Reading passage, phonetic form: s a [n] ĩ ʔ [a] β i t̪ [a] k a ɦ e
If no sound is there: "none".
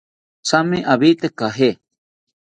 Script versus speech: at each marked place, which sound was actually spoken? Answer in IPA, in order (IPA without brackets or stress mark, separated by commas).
m, a, e